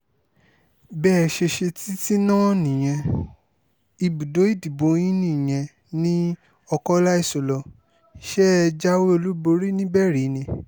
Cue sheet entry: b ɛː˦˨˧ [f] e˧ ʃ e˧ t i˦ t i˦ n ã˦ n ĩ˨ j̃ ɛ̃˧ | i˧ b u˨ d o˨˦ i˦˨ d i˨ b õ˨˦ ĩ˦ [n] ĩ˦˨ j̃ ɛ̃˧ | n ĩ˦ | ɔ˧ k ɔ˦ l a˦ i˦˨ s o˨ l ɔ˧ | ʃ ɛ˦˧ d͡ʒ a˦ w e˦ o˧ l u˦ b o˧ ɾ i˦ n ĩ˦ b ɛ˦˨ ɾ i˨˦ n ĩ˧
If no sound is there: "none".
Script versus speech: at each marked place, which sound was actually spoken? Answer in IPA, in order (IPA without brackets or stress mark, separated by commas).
ʃ, n